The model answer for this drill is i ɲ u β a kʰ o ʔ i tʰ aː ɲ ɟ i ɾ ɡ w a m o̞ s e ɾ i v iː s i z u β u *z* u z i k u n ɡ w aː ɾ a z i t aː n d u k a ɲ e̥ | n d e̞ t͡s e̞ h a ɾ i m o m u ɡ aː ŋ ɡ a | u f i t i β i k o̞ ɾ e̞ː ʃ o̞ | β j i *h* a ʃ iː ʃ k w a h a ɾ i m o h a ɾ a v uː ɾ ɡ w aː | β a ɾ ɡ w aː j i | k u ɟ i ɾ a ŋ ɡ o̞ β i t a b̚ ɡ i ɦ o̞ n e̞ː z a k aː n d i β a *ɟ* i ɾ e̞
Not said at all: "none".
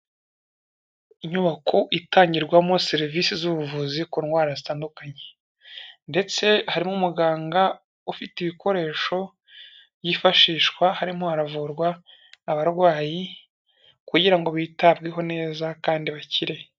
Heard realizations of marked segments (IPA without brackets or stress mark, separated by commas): v, f, c